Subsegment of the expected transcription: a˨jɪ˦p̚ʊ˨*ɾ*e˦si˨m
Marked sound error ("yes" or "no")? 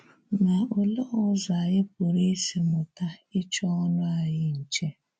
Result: no